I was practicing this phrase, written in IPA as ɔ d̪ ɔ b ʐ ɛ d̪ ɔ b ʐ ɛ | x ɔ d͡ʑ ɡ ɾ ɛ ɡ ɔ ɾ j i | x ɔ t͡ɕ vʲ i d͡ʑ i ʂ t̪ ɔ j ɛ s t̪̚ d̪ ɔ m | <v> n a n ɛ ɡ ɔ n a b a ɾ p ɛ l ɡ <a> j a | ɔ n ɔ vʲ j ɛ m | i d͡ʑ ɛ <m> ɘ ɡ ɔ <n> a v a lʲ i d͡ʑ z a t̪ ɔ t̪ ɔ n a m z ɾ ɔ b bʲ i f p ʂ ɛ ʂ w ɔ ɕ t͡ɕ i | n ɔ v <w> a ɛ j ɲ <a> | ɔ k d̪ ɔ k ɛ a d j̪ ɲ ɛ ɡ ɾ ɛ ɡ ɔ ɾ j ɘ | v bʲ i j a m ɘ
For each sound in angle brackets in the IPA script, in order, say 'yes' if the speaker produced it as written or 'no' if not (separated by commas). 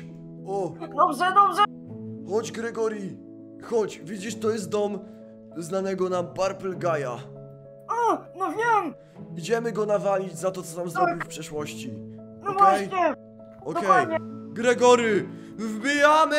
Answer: no, yes, yes, yes, yes, no